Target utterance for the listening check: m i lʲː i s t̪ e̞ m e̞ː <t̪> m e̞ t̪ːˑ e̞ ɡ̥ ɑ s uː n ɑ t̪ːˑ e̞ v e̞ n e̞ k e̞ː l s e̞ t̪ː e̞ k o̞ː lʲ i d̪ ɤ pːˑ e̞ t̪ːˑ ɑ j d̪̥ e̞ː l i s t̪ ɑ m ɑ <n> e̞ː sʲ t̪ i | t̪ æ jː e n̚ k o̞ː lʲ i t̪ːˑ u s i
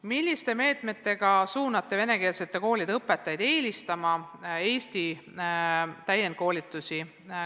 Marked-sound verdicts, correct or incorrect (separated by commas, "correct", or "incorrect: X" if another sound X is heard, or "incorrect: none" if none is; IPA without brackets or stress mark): correct, incorrect: none